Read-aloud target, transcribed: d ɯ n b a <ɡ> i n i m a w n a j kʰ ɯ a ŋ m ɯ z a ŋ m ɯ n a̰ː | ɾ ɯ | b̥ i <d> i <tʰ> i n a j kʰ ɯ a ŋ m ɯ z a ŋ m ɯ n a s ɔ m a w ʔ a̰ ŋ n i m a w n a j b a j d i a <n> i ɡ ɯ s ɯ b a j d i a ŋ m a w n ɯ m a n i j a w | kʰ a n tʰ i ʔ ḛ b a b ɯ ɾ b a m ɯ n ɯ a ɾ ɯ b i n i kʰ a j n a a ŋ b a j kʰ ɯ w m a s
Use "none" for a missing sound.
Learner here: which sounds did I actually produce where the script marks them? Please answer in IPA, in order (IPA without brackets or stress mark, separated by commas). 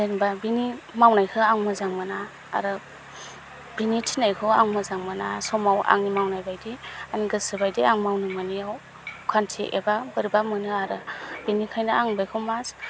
b, n, tʰ, n